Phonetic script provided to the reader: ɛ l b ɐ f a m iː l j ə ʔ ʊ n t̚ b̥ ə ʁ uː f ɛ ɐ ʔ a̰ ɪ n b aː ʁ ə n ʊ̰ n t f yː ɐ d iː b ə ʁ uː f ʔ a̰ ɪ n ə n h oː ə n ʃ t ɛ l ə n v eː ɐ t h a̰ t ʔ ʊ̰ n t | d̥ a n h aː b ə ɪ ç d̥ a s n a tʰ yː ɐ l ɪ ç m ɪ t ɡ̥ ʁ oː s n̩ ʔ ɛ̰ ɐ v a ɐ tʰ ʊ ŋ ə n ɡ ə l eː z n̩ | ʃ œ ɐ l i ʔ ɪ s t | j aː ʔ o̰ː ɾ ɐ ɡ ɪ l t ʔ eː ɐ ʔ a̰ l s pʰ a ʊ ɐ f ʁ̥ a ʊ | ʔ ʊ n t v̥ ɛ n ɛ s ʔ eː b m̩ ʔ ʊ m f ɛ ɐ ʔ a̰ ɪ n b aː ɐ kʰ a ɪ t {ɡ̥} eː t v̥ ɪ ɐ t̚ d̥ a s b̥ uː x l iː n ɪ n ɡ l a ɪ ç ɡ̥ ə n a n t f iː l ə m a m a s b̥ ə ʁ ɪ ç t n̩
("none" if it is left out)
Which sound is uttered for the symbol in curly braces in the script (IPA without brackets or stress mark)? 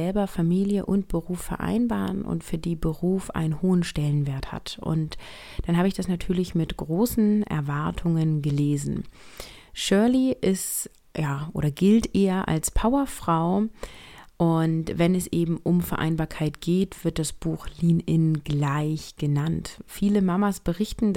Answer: ɡ̥